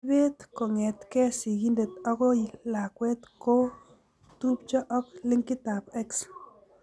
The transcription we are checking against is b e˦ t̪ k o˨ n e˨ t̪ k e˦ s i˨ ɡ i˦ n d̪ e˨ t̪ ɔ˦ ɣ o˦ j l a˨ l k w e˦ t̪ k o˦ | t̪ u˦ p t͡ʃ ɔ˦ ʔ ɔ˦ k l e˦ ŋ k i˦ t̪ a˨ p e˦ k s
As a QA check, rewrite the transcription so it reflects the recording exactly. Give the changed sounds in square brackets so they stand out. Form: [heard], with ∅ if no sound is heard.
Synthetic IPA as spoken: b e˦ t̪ k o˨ [ŋ] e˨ t̪ k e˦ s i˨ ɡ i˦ n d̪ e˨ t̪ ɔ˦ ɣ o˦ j l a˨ [∅] k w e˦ t̪ k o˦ | t̪ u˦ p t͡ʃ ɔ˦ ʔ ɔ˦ k l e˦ ŋ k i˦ t̪ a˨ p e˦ k s